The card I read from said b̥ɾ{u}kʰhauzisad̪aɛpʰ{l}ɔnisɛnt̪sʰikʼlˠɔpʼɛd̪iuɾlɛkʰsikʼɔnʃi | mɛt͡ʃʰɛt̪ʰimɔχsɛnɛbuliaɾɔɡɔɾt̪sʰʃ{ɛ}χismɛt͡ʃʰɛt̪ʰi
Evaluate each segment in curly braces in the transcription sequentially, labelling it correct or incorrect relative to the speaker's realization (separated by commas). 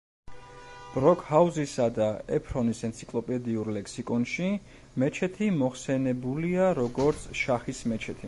incorrect, incorrect, incorrect